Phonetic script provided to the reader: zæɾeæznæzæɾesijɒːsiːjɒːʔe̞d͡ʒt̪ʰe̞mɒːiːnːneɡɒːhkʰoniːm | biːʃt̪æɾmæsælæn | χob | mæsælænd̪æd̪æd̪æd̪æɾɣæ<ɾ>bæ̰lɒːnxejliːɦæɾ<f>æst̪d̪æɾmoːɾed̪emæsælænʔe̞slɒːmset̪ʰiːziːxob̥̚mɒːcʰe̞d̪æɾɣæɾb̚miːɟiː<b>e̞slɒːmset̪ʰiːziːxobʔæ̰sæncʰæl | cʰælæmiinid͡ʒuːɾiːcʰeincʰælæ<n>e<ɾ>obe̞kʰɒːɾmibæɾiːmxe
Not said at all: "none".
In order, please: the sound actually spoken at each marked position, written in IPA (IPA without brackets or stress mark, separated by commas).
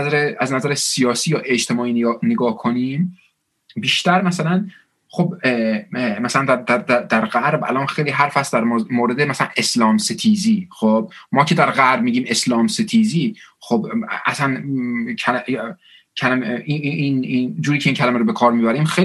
ɾ, f, m, m, ɾ